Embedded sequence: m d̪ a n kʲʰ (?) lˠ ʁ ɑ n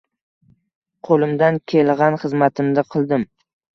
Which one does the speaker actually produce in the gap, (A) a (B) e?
B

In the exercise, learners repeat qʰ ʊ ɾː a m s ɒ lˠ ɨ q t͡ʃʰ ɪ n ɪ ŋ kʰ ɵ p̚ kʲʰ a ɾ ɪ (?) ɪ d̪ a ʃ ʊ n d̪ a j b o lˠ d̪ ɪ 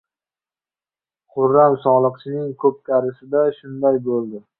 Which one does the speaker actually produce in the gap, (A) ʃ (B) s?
B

